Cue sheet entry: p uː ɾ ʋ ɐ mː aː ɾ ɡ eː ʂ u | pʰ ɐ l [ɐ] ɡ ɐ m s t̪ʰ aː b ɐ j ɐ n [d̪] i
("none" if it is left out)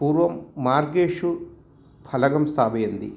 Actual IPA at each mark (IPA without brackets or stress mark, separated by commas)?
ɐ, d̪